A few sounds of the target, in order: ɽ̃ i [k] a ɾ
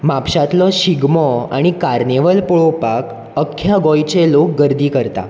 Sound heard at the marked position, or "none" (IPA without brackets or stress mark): k